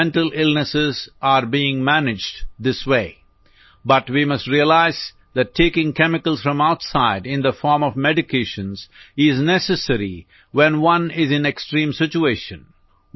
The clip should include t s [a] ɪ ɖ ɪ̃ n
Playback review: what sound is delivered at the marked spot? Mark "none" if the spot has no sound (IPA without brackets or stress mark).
a